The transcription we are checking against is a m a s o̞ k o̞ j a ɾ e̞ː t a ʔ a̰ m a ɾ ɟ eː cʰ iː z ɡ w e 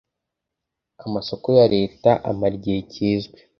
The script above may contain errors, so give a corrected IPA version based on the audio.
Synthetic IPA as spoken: a m a s o̞ k o̞ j a ɾ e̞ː t a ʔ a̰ m a ɾ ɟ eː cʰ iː z ɡ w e